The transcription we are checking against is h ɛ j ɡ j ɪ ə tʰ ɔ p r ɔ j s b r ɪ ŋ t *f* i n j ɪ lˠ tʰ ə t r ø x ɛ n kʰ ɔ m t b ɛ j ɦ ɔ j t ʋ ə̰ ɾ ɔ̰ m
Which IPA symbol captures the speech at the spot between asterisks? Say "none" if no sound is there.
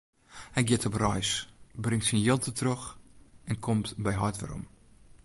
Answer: s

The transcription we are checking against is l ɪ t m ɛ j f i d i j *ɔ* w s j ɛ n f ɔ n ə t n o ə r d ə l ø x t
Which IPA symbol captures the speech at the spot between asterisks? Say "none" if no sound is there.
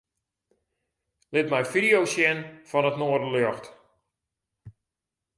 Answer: o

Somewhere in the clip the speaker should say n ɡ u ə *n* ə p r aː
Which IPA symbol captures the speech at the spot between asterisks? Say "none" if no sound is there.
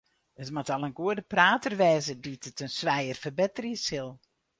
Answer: d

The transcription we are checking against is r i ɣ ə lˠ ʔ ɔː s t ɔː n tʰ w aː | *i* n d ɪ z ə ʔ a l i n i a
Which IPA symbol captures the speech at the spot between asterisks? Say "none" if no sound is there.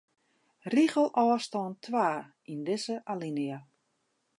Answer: i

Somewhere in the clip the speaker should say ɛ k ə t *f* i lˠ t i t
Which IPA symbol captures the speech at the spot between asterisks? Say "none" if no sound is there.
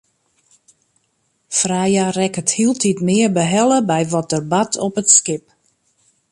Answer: h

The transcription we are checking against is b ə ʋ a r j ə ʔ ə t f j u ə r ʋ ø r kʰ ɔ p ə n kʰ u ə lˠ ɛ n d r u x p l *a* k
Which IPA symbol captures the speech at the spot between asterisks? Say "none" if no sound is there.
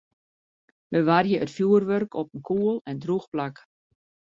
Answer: a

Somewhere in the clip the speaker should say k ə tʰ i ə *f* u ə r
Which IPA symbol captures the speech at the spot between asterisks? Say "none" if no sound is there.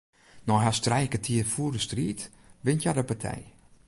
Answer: f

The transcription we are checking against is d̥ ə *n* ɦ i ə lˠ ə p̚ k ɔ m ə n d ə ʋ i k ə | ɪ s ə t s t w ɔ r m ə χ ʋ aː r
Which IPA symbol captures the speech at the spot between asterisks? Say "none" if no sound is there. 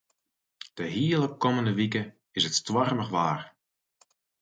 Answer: none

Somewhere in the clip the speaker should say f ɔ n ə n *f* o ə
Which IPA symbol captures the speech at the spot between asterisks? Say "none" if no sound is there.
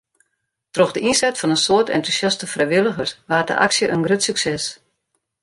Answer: s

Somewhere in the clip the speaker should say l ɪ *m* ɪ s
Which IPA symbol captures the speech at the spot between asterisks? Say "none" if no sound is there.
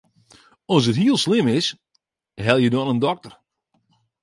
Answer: m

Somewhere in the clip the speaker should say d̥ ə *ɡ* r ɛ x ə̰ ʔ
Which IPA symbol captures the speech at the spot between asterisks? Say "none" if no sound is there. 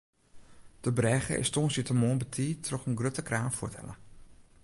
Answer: b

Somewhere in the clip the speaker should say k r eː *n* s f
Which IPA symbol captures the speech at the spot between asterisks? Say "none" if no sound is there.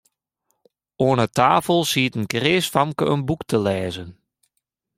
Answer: none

